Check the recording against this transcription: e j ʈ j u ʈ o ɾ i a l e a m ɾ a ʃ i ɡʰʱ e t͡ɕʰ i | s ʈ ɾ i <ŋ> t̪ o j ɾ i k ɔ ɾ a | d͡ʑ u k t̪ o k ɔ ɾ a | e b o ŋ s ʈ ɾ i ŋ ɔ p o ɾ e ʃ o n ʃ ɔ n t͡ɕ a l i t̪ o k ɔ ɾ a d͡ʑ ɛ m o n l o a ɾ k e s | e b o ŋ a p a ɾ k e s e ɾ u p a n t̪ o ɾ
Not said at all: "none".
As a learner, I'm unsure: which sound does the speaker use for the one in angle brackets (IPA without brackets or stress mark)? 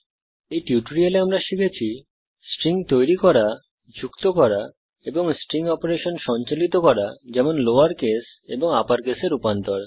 ŋ